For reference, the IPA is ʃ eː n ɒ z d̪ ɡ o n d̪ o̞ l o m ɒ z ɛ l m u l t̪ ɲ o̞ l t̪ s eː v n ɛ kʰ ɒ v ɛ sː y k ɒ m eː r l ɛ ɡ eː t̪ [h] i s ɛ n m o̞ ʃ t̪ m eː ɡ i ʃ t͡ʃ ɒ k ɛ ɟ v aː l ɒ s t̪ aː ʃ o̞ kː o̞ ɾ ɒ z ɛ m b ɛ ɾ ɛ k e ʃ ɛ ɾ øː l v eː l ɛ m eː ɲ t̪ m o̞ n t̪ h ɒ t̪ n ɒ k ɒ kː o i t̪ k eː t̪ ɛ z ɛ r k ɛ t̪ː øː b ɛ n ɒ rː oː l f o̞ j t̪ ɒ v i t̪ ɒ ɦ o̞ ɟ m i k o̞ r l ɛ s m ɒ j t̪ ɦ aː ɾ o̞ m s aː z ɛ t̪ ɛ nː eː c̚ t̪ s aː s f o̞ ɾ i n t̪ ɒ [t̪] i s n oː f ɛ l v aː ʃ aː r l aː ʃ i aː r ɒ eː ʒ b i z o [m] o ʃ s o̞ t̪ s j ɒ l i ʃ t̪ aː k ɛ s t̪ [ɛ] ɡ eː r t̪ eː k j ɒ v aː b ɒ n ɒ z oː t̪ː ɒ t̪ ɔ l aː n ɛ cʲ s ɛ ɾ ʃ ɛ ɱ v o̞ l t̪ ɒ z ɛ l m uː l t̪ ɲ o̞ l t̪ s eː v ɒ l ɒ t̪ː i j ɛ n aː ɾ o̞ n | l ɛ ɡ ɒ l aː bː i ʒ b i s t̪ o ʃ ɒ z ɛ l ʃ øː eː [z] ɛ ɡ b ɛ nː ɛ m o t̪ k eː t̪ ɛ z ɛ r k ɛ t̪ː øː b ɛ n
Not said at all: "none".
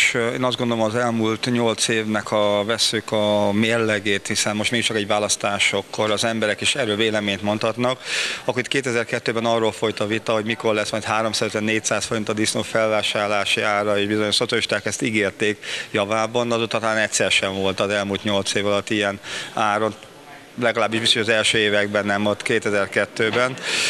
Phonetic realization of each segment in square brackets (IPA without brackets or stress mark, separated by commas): h, d̪, ɲ, i, v